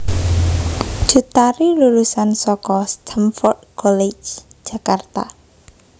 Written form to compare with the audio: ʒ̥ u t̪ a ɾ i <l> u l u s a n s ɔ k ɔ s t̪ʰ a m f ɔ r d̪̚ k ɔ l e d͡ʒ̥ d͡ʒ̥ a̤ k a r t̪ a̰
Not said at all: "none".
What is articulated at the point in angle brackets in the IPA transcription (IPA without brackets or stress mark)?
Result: l